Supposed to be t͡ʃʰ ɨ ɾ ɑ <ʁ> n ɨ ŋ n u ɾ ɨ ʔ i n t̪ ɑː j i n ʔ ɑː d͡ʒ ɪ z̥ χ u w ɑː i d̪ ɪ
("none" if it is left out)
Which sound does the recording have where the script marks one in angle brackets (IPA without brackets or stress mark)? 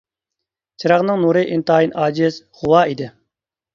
ʁ